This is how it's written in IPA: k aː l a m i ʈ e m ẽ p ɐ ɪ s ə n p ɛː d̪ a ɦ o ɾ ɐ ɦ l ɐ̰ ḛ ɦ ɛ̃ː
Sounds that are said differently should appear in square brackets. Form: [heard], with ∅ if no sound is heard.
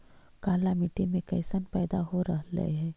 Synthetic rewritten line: k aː l a m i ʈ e m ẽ [k] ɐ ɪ s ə n p ɛː d̪ a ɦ o ɾ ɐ ɦ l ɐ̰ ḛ ɦ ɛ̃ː